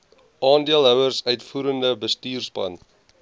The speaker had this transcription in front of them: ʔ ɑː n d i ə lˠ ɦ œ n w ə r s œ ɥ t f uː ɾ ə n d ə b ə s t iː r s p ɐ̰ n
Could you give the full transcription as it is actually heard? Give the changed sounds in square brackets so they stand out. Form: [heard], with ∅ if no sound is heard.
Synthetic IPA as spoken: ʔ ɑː n d i ə lˠ ɦ œ [∅] w ə r s œ ɥ t f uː ɾ ə n d ə b ə s t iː r s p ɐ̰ n